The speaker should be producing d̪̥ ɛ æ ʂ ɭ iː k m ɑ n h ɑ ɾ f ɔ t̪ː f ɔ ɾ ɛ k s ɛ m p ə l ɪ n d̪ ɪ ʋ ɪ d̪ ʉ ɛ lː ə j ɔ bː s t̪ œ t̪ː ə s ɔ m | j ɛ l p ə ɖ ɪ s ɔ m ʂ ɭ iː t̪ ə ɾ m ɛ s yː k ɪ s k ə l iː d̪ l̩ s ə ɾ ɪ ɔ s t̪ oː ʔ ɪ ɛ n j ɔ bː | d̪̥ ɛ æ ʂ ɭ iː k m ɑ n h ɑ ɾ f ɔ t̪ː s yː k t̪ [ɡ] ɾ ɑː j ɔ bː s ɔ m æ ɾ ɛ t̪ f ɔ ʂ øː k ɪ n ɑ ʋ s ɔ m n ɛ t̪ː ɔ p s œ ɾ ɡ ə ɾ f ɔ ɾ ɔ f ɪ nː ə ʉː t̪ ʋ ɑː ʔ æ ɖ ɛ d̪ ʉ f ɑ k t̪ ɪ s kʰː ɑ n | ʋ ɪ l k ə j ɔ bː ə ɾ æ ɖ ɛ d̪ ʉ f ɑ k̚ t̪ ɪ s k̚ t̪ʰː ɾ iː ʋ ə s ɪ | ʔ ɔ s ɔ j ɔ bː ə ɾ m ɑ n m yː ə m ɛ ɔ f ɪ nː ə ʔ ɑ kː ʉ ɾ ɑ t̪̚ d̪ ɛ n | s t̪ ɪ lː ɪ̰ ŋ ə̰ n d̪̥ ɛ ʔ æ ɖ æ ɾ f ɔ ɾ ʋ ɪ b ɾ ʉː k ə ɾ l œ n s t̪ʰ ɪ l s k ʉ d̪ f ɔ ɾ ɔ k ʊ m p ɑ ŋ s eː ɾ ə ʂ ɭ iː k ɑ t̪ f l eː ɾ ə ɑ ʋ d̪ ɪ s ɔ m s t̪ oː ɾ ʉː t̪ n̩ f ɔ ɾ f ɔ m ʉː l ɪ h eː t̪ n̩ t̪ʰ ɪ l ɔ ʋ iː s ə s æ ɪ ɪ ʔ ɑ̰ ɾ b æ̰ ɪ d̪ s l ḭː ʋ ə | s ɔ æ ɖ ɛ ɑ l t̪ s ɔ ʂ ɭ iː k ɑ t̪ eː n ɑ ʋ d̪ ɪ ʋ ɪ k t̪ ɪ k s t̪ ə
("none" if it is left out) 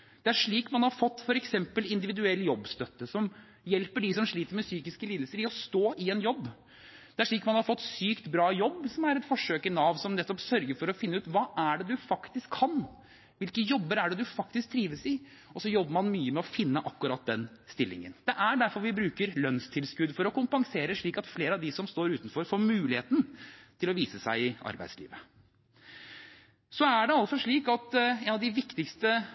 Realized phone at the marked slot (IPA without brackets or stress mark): b